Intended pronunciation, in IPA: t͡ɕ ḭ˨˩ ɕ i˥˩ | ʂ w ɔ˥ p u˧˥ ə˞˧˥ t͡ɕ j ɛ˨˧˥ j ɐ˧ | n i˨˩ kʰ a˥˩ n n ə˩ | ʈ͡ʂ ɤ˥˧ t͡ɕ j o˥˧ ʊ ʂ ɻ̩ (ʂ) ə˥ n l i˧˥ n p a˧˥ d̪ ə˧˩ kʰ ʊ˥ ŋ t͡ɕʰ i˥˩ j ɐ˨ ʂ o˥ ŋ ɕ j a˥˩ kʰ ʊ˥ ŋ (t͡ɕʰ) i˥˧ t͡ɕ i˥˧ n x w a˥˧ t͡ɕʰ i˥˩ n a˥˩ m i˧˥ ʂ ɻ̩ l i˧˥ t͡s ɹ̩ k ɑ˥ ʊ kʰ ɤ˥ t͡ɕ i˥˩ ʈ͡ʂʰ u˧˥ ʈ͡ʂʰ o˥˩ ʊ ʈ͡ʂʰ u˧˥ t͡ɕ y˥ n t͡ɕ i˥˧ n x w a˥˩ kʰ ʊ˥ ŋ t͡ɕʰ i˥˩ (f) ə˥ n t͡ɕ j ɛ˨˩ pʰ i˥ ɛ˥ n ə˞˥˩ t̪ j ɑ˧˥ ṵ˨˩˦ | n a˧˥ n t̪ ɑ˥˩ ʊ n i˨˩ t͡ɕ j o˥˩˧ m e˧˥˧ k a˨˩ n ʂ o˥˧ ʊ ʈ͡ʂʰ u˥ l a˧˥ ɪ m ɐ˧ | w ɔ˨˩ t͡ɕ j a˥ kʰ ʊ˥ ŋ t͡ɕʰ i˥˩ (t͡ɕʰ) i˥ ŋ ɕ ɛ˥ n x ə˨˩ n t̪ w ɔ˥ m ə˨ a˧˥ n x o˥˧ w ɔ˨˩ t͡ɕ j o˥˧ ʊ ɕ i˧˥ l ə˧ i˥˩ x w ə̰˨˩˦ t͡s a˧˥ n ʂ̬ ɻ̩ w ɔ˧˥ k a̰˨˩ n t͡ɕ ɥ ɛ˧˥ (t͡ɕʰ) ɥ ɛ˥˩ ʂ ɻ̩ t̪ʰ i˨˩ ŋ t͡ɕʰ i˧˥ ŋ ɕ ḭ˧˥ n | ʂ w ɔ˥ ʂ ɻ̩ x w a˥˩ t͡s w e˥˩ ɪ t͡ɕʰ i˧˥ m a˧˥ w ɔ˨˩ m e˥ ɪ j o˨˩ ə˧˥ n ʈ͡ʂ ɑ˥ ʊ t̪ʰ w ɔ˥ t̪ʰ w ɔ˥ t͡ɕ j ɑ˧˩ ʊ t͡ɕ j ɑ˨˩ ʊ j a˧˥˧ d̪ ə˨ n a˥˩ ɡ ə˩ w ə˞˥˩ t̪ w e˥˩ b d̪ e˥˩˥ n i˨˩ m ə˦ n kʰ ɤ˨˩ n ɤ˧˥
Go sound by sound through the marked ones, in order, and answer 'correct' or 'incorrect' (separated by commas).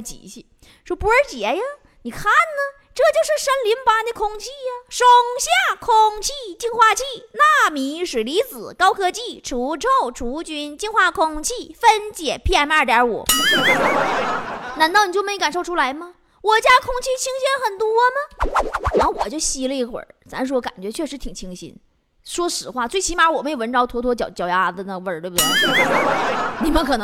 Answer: correct, correct, correct, correct, correct